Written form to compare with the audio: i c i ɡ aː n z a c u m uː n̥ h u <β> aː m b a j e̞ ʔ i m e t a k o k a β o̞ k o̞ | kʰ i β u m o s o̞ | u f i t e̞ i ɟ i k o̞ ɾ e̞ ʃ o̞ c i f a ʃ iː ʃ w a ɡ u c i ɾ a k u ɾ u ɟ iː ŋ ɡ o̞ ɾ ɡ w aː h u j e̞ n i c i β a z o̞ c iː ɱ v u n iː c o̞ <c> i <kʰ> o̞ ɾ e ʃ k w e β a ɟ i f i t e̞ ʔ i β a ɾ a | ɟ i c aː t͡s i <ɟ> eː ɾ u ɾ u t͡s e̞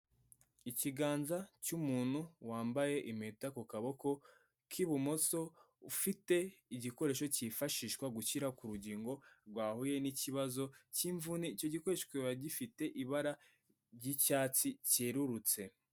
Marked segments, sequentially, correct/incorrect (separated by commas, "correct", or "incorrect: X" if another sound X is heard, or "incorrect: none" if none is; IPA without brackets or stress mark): incorrect: w, incorrect: ɟ, incorrect: k, incorrect: c